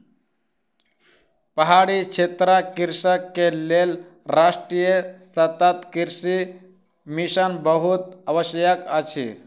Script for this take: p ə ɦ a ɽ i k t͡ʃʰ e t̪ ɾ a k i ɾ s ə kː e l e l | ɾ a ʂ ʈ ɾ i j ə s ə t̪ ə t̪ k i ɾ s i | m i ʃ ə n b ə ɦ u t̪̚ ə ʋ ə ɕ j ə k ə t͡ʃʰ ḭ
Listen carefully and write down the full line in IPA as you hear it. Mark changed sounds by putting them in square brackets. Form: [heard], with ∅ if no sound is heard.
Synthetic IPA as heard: p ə ɦ a ɽ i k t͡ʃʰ e t̪ ɾ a k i ɾ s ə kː e l e l | ɾ a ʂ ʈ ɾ i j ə s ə t̪ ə t̪ k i ɾ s i | m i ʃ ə n b ə ɦ u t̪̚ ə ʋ ə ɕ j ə k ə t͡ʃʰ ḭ